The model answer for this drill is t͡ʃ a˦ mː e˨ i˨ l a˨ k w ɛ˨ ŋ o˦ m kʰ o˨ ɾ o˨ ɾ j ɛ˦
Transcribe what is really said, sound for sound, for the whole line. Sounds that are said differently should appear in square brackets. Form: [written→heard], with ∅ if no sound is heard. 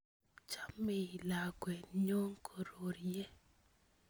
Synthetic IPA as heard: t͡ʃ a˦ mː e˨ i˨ l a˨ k w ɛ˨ [ŋ→ɲ] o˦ [m→ŋ] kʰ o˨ ɾ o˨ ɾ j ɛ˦